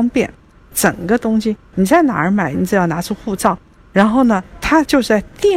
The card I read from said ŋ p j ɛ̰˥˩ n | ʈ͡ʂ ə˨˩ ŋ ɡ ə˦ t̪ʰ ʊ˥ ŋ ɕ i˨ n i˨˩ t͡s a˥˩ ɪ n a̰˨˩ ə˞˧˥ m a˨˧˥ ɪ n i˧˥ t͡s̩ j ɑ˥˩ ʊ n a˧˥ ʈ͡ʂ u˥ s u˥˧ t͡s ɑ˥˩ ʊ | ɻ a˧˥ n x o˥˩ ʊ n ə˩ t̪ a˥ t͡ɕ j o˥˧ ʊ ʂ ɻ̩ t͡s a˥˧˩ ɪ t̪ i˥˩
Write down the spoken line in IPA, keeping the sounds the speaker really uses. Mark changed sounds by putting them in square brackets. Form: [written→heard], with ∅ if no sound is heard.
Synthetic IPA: ŋ p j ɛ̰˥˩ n | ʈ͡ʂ ə˨˩ ŋ ɡ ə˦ [t̪ʰ→t̪] ʊ˥ ŋ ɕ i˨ n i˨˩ t͡s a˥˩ ɪ n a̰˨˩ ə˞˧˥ m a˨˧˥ ɪ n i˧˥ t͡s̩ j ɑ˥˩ ʊ n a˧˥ [ʈ͡ʂ→ʈ͡ʂʰ] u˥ [s→x] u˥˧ t͡s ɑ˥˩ ʊ | ɻ a˧˥ n x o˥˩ ʊ n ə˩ [t̪→t̪ʰ] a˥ t͡ɕ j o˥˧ ʊ ʂ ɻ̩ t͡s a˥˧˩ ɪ t̪ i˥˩